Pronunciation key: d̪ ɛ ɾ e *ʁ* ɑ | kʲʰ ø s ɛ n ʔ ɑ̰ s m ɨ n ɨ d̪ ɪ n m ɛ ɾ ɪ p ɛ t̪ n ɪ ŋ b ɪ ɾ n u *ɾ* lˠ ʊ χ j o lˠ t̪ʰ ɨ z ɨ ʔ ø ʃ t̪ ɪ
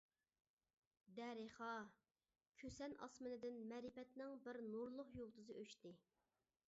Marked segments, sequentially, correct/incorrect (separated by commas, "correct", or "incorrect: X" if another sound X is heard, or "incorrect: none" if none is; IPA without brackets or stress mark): incorrect: χ, correct